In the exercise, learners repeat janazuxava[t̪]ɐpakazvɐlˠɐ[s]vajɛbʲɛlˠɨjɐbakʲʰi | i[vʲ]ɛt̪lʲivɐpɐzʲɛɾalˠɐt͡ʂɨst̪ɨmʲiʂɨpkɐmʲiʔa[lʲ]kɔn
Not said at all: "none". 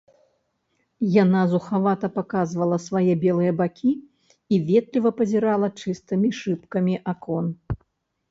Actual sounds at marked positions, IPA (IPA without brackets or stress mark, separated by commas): t̪, s, vʲ, none